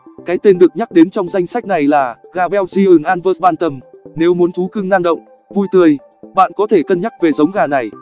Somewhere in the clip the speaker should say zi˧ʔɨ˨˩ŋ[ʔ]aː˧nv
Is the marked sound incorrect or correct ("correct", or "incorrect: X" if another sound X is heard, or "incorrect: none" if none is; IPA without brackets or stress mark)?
correct